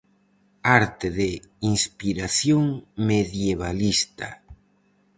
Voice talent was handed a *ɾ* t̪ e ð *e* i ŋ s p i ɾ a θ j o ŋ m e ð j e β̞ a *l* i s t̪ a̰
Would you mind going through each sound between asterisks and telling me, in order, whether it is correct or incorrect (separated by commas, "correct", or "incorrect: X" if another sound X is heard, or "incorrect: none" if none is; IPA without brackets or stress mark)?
correct, correct, correct